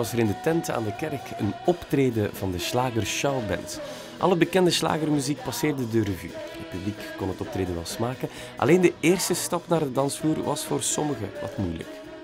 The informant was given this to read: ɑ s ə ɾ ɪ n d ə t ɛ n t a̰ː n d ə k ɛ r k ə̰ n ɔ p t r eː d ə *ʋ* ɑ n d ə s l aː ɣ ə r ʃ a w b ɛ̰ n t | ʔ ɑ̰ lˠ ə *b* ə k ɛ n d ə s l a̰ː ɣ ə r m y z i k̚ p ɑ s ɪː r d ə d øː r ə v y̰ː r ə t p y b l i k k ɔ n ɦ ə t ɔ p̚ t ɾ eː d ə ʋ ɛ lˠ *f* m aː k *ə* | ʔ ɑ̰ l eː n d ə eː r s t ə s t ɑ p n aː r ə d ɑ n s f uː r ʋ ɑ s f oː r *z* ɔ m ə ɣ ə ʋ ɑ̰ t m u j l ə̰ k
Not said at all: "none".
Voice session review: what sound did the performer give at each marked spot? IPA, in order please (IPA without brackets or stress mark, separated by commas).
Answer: v, b, s, ə, s